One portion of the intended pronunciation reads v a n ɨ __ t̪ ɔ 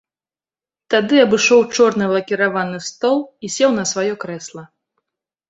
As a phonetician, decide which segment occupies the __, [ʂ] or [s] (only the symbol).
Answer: s